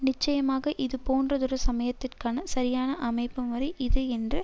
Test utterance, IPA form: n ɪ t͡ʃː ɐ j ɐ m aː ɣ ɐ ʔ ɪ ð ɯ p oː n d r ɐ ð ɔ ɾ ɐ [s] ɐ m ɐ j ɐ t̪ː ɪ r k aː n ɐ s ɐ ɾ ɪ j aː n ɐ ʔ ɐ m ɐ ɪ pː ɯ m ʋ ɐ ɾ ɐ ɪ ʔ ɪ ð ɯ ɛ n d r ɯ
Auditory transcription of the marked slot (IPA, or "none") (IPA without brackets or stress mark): s